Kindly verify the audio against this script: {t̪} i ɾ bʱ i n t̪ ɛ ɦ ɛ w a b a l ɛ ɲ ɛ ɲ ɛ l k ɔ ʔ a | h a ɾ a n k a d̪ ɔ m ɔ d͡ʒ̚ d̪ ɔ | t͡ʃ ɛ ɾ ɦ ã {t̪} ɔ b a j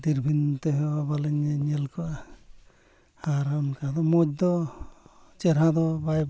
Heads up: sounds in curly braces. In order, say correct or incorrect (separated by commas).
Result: incorrect, incorrect